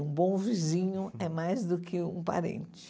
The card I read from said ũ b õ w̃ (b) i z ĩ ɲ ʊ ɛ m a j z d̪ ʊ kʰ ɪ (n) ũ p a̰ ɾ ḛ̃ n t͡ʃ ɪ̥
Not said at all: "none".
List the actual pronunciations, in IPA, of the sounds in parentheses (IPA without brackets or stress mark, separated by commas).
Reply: v, none